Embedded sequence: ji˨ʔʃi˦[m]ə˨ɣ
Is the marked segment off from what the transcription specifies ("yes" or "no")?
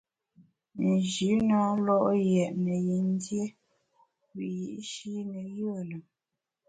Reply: yes